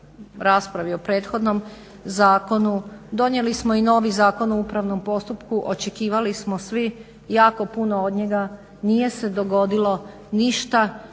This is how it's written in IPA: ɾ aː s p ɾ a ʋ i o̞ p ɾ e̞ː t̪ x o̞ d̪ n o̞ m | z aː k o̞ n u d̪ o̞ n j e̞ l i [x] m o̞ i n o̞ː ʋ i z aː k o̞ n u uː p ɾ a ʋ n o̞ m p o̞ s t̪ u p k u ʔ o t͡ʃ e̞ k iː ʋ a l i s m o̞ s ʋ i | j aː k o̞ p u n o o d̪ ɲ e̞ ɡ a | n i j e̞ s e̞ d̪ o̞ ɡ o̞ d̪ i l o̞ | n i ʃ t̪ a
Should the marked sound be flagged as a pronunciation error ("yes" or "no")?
yes